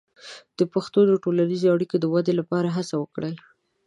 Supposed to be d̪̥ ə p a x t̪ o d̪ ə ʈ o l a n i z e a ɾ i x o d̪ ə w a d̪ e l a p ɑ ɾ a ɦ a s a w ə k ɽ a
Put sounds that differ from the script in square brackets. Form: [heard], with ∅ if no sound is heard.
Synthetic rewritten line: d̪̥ ə p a x t̪ o d̪ ə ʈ o l a n i z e a [ɽ] i [k] o d̪ ə w a d̪ e l a p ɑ ɾ a ɦ a s a w ə k ɽ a